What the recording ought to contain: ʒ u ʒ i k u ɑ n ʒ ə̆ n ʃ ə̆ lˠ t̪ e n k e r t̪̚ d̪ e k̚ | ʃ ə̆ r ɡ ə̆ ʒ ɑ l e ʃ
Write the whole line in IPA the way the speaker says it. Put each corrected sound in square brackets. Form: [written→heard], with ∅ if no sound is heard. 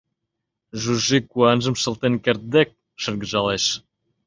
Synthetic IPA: ʒ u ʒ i k u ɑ n ʒ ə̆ [n→m] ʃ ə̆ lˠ t̪ e n k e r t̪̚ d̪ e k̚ | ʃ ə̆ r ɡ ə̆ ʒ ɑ l e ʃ

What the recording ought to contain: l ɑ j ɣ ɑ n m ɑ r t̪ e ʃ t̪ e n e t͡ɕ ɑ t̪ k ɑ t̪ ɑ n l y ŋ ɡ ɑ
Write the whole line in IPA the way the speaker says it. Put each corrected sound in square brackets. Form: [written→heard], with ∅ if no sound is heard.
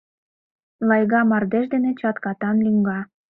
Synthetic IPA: l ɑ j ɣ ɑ [n→∅] m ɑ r [t̪→d̪] e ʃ [t̪→d̪] e n e t͡ɕ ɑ t̪ k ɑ t̪ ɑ n l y ŋ ɡ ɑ

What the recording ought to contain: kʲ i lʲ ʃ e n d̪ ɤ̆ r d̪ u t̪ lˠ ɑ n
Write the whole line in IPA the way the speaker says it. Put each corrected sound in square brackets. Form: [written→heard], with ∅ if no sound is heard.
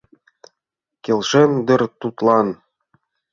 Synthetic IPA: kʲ [i→e] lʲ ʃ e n d̪ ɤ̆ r [d̪→t̪] u t̪ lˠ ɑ n

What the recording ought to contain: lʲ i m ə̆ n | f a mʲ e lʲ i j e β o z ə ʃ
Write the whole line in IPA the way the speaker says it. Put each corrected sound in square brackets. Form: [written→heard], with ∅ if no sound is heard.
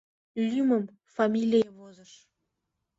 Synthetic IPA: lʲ [i→y] m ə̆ [n→m] | f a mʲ [e→i] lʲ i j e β o z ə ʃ

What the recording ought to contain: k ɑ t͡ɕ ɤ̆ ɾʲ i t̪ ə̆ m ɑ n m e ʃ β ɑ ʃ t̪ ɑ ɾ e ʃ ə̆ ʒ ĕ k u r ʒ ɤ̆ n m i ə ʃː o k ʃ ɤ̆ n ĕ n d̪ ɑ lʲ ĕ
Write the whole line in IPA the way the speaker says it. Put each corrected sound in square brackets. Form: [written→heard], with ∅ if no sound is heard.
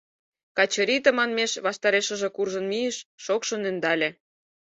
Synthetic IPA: k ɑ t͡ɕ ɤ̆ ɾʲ i t̪ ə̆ m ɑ n m e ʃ β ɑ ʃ t̪ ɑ ɾ e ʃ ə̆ ʒ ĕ k u r ʒ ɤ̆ n m i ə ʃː o k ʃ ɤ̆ n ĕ n d̪ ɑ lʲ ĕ

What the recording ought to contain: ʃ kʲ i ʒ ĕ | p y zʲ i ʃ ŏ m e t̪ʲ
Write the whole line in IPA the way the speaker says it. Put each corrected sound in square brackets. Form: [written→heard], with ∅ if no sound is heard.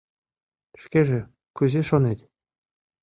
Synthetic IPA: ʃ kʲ [i→e] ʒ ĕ | [p→k] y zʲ [i→e] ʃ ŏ [m→n] e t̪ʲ

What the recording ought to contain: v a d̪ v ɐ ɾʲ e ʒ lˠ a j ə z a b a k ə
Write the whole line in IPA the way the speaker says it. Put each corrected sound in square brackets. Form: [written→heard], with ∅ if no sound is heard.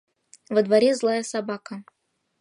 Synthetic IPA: v [a→ə] d̪ v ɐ ɾʲ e [ʒ→z] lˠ a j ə [z→s] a b a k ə

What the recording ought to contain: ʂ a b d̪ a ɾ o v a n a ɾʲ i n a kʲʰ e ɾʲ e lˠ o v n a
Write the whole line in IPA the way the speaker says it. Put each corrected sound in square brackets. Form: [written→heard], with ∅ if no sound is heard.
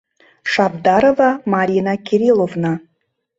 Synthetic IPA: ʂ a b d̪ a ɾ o v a [n→m] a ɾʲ i n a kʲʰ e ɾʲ [e→i] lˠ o v n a

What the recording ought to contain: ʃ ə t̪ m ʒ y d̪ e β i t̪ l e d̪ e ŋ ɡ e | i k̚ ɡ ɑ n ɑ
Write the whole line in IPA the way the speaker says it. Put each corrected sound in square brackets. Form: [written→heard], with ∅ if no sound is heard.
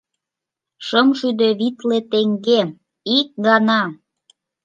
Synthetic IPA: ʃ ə [t̪→∅] m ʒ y d̪ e β i t̪ l e [d̪→t̪] e ŋ ɡ e | i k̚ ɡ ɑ n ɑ

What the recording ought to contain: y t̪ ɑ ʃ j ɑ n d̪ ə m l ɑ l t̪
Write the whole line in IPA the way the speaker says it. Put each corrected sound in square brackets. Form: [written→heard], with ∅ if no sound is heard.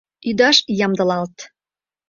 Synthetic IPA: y [t̪→d̪] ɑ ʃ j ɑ [n→m] d̪ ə [m→∅] l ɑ l t̪

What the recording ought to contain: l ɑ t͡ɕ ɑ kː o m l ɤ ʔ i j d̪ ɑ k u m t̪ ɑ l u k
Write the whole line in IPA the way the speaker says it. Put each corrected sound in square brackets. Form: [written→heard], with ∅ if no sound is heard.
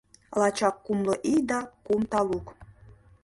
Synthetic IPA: l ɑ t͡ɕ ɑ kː [o→u] m l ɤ ʔ i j d̪ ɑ k u m t̪ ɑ l u k

